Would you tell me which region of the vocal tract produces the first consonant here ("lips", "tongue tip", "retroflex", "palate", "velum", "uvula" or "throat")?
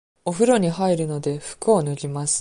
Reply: lips